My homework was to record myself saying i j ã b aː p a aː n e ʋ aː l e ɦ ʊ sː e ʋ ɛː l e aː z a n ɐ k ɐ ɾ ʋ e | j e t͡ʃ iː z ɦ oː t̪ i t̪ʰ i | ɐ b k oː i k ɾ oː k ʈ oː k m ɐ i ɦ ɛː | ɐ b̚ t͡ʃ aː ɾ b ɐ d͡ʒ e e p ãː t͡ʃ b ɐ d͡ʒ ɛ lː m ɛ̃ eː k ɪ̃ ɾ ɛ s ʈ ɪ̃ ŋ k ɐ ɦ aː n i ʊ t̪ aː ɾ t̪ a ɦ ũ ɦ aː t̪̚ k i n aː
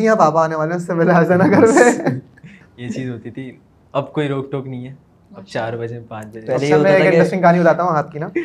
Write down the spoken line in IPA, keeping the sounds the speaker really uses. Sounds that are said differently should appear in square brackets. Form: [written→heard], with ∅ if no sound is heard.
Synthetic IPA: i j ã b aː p a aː n e ʋ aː l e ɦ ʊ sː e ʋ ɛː l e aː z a n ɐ k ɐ ɾ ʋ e | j e t͡ʃ iː z ɦ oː t̪ i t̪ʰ i | ɐ b k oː i [k→∅] ɾ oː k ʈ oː k [m→n] ɐ [i→ĩ] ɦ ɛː | ɐ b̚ t͡ʃ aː ɾ b ɐ d͡ʒ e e p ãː t͡ʃ b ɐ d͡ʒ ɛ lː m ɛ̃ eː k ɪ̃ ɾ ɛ s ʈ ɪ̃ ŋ k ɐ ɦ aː n i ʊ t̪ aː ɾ t̪ a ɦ ũ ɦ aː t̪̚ k i n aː